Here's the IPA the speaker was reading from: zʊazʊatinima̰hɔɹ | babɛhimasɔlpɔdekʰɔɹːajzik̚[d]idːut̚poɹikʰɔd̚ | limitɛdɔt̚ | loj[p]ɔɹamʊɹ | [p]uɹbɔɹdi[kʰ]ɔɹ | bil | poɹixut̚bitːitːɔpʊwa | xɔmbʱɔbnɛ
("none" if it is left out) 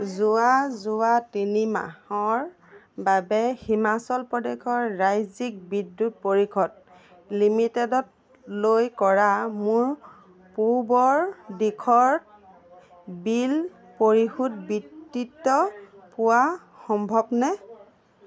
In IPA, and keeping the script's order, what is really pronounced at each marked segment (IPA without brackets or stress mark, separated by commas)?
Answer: b, k, p, kʰ